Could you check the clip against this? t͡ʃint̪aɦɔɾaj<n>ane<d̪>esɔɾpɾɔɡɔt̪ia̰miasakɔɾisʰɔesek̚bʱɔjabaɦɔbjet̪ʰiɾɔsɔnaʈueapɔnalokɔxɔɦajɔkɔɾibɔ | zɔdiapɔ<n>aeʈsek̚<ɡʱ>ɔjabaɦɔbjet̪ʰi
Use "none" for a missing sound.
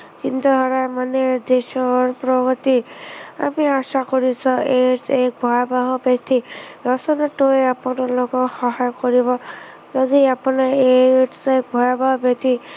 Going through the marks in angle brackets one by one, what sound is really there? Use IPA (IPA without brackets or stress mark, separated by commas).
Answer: m, d̪, n, bʱ